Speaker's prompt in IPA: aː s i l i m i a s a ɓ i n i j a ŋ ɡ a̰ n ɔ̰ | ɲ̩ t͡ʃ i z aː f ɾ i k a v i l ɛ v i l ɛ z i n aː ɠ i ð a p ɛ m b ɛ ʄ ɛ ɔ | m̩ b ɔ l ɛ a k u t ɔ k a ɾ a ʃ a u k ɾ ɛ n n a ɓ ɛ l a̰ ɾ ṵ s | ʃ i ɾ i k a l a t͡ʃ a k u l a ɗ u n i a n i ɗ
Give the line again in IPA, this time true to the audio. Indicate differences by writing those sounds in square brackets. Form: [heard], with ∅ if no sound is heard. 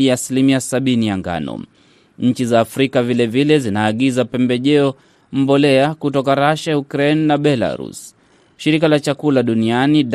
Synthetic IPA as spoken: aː s i l i m i a s a ɓ i n i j a ŋ ɡ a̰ n ɔ̰ | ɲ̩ t͡ʃ i z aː f ɾ i k a v i l ɛ v i l ɛ z i n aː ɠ i [z] a p ɛ m b ɛ ʄ ɛ ɔ | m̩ b ɔ l ɛ a k u t ɔ k a ɾ a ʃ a u k ɾ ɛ n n a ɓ ɛ l a̰ ɾ ṵ s | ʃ i ɾ i k a l a t͡ʃ a k u l a ɗ u n i a n i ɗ